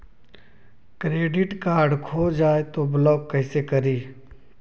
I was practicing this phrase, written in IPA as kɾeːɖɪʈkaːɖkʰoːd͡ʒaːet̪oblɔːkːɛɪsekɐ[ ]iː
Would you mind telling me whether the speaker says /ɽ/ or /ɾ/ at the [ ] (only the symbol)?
ɾ